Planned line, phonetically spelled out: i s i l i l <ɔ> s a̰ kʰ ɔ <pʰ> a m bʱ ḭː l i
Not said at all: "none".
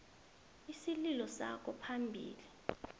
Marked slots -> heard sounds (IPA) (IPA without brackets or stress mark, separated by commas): ɔ, pʰ